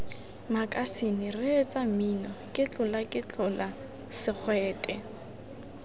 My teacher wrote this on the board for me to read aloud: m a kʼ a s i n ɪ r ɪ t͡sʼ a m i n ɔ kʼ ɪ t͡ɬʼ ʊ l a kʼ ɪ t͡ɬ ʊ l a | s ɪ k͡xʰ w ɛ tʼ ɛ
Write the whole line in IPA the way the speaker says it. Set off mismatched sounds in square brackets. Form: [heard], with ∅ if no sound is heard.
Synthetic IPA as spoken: m a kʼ a s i n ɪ r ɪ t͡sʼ a m i n ɔ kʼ ɪ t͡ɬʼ ʊ l a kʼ ɪ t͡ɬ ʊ l a | s ɪ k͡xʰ w [ɛː] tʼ ɛ